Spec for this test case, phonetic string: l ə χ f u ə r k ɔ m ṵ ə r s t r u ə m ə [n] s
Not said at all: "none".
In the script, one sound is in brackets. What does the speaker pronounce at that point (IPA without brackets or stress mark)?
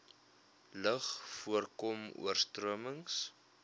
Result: ŋ